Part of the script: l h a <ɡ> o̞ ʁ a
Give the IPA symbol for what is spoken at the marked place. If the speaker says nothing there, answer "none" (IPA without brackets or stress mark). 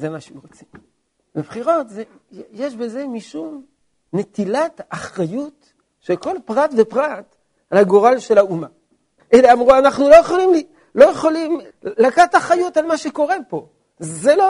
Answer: ɡ